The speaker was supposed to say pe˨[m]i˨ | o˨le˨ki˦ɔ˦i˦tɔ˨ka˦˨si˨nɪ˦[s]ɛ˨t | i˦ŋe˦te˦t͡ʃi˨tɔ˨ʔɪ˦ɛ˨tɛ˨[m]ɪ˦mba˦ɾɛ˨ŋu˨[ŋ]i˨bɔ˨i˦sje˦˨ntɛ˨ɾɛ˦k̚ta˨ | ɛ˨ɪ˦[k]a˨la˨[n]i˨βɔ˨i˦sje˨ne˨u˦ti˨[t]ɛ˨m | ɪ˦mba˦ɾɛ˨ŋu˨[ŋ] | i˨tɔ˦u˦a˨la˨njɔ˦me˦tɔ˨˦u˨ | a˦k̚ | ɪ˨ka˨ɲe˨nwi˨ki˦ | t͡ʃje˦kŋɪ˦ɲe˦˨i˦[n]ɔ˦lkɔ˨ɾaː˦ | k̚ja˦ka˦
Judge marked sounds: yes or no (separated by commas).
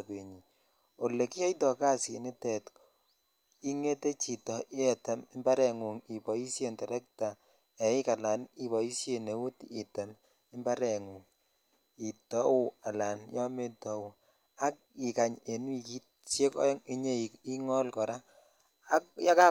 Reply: no, no, yes, yes, yes, yes, yes, yes, no